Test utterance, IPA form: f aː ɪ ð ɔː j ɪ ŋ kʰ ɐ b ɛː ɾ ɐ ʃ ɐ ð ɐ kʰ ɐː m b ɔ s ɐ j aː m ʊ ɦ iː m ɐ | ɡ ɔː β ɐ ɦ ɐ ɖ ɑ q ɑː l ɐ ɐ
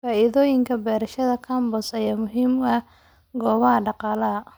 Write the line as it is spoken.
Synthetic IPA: f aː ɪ ð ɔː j ɪ ŋ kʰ ɐ b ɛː ɾ ɐ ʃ ɐ ð ɐ kʰ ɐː m b ɔ s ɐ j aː m ʊ ɦ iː m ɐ | ɡ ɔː β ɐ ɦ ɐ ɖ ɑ q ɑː l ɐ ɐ